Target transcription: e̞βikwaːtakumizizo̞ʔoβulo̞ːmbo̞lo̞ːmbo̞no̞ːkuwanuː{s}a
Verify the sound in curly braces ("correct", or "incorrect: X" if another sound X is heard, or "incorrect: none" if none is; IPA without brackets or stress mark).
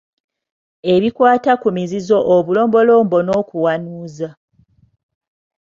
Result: incorrect: z